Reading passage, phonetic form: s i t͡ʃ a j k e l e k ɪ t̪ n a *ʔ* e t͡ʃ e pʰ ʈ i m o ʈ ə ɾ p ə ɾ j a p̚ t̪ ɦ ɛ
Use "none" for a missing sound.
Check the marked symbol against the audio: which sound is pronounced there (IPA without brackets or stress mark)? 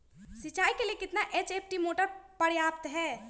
ʔ